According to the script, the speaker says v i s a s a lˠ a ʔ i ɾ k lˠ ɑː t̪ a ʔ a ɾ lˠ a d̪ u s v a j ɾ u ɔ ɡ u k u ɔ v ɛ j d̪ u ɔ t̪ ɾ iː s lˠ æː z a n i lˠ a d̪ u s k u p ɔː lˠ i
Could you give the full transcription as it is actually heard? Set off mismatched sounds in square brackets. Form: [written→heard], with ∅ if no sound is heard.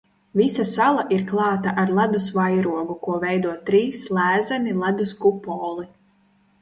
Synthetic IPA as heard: v i s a s a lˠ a ʔ i ɾ k lˠ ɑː t̪ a ʔ a ɾ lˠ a d̪ u s v a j ɾ u ɔ ɡ u k u ɔ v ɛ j d̪ u ɔ t̪ ɾ iː s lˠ æː z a n i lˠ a d̪ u s k u p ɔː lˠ i